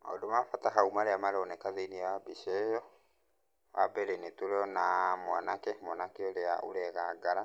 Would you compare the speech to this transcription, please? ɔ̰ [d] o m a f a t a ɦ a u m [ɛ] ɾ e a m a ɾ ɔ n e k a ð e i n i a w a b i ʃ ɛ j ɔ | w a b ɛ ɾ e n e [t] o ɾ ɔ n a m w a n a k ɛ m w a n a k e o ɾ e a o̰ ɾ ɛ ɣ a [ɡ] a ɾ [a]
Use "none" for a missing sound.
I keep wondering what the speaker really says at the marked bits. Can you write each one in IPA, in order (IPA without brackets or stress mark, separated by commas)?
d, a, t, ɡ, a